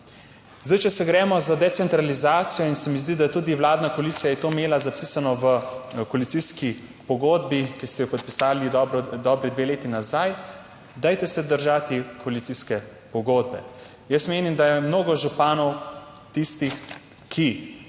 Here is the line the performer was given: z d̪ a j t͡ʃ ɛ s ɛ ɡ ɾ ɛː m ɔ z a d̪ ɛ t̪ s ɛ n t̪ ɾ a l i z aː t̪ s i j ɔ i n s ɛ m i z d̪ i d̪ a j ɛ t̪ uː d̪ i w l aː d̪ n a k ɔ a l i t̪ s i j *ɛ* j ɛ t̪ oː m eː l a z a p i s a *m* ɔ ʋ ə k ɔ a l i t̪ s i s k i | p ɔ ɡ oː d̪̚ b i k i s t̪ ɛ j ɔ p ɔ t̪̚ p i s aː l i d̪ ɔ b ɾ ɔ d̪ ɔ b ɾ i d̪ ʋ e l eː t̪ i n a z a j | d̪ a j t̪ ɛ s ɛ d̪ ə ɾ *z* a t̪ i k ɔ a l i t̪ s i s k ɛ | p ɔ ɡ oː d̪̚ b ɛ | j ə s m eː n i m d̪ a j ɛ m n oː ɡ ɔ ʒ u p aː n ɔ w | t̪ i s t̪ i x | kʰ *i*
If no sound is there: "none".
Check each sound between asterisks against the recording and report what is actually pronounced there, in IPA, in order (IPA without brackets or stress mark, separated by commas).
a, n, ʒ, i